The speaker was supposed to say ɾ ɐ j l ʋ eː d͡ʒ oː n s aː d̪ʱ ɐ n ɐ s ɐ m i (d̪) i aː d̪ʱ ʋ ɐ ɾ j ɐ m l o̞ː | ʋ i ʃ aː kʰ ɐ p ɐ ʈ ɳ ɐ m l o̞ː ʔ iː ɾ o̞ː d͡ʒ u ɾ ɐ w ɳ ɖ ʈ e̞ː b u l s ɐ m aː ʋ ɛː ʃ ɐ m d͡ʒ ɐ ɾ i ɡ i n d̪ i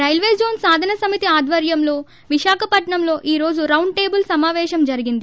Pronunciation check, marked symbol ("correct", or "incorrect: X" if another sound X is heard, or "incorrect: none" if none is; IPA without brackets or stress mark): incorrect: t̪